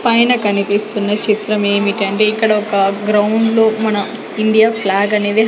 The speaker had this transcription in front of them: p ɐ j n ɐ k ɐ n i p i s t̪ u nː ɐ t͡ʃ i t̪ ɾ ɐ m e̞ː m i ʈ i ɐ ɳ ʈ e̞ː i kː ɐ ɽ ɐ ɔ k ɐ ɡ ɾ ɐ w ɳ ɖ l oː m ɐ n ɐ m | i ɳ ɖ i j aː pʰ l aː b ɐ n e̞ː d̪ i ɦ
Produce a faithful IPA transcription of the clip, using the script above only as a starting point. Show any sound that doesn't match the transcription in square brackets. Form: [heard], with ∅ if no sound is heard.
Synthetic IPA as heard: p ɐ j n ɐ k ɐ n i p i s t̪ u nː ɐ t͡ʃ i t̪ ɾ ɐ m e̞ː m i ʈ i ɐ ɳ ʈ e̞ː i kː ɐ ɽ ɐ ɔ k ɐ ɡ ɾ ɐ w ɳ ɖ l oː m ɐ n ɐ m | i ɳ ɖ i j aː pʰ l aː [ɡ] ɐ n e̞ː d̪ i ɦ